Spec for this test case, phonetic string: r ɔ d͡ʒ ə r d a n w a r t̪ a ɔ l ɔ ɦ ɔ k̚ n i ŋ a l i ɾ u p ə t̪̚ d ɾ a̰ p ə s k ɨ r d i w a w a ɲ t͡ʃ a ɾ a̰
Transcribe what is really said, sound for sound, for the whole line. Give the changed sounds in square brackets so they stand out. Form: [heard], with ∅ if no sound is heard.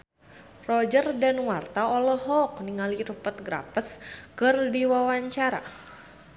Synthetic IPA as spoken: r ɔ d͡ʒ ə r d a n w a r t̪ a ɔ l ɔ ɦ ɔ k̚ n i ŋ a l i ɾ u p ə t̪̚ [ɡ] ɾ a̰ p ə s k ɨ r d i w a w a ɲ t͡ʃ a ɾ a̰